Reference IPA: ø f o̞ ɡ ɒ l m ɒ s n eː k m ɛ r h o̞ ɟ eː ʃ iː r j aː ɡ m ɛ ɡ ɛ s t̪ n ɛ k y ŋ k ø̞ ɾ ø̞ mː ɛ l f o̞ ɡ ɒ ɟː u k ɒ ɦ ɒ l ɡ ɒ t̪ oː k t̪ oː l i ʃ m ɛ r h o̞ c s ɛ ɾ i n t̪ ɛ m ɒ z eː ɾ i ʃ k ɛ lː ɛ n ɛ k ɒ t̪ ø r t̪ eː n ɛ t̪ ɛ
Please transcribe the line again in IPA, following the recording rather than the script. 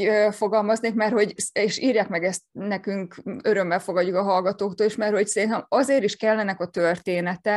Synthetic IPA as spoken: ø f o̞ ɡ ɒ l m ɒ z n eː k m ɛ r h o̞ ɟ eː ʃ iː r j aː k m ɛ ɡ ɛ s t̪ n ɛ k y ŋ k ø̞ ɾ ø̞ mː ɛ l f o̞ ɡ ɒ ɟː u k ɒ ɦ ɒ l ɡ ɒ t̪ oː k t̪ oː l i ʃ m ɛ r h o̞ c s ɛ ɾ i n t̪ ɛ m ɒ z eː ɾ i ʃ k ɛ lː ɛ n ɛ k ɒ t̪ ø r t̪ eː n ɛ t̪ ɛ